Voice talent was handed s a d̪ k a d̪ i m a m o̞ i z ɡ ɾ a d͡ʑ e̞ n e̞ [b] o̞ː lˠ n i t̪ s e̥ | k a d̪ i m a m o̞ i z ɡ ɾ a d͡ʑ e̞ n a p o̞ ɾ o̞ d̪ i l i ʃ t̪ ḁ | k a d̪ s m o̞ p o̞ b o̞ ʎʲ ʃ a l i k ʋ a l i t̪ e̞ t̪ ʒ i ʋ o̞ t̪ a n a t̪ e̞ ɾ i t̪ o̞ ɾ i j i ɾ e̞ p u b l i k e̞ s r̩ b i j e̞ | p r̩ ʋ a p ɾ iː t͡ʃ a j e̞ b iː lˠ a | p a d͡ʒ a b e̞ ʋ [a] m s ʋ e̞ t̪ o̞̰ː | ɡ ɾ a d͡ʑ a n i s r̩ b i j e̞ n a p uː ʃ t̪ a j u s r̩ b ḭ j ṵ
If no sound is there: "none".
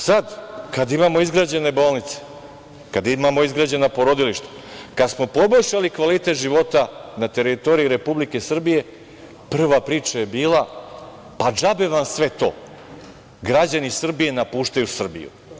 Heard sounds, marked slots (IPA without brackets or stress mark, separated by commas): b, a